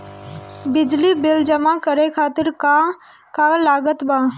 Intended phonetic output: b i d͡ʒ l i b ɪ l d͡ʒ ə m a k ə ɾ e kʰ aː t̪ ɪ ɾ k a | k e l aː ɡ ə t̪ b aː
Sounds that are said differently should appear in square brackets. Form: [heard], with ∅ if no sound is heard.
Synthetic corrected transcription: b [ɪ] d͡ʒ l i b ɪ l d͡ʒ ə m a k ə ɾ e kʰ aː t̪ ɪ ɾ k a | k [a] l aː ɡ ə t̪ b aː